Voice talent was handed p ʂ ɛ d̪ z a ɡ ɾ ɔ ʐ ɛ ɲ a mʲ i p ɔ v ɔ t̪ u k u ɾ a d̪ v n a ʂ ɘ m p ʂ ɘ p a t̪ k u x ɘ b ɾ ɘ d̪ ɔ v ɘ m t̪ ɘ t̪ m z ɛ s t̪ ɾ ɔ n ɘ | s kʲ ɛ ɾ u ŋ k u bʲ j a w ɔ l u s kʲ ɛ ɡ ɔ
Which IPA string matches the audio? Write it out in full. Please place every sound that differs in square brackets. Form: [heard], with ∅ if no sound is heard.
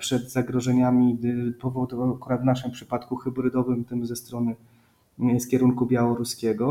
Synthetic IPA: p ʂ ɛ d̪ z a ɡ ɾ ɔ ʐ ɛ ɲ a mʲ i p ɔ v ɔ [d̪] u k u ɾ a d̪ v n a ʂ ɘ m p ʂ ɘ p a t̪ k u x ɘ b ɾ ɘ d̪ ɔ v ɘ m t̪ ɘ [∅] m z ɛ s t̪ ɾ ɔ n ɘ | s kʲ ɛ ɾ u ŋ k u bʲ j a w ɔ [ɾ] u s kʲ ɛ ɡ ɔ